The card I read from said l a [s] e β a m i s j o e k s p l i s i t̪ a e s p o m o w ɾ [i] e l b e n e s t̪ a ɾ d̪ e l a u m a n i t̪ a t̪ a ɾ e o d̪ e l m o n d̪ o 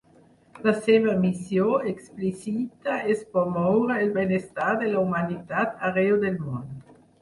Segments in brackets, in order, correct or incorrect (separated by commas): correct, incorrect